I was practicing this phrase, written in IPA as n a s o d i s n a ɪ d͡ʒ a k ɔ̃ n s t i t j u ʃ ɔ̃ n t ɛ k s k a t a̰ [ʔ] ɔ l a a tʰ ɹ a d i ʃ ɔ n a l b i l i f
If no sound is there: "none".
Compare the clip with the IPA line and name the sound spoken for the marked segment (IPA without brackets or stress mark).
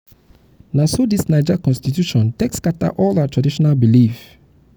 ʔ